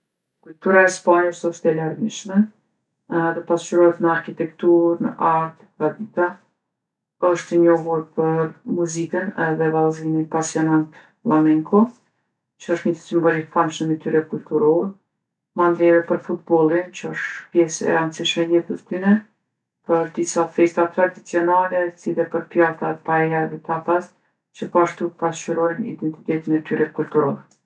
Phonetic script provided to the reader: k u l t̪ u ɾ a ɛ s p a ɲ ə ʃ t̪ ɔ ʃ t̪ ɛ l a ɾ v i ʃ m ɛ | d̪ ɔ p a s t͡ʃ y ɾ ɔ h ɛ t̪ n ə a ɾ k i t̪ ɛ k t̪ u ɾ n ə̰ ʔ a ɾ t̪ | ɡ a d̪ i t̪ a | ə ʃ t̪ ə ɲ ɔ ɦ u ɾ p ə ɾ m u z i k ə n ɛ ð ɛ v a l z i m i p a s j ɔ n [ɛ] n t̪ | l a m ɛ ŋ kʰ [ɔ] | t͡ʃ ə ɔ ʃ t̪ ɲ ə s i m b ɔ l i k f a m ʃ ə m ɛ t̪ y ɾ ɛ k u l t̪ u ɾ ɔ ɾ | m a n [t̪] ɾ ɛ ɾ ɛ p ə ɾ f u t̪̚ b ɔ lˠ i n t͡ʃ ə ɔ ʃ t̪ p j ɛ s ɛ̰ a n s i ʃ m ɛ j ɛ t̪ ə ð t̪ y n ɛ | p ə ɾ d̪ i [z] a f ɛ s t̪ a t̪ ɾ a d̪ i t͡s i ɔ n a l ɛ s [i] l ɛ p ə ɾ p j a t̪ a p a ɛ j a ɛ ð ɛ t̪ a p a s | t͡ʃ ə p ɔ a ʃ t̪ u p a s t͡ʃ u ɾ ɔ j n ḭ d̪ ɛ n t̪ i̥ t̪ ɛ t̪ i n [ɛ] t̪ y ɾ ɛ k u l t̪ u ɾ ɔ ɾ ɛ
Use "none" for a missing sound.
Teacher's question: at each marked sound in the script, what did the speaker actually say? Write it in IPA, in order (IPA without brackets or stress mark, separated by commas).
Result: a, ɔ, d̪, s, i, ɛ